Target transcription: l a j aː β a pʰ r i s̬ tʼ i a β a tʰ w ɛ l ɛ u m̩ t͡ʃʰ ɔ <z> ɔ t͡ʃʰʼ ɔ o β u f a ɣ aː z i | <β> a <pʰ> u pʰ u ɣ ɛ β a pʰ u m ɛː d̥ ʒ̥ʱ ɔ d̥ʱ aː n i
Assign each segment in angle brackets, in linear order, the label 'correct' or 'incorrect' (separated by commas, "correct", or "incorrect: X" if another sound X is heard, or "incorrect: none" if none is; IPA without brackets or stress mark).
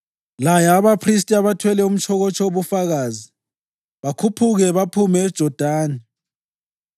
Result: incorrect: ɣ, correct, incorrect: kʰ